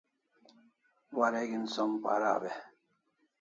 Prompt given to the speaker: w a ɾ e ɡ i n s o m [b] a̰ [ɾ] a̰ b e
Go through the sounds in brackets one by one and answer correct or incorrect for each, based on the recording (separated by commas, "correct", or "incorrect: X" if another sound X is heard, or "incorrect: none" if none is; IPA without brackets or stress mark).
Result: incorrect: p, correct